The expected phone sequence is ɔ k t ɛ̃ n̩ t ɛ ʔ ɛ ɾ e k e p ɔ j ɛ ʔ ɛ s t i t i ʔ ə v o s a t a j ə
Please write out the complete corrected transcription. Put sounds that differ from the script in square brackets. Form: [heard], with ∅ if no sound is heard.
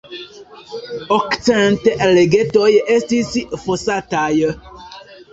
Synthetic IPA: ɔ k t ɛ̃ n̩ t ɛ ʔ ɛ [l] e [ɡ] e [t] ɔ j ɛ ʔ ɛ s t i [s] i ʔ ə [f] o s a t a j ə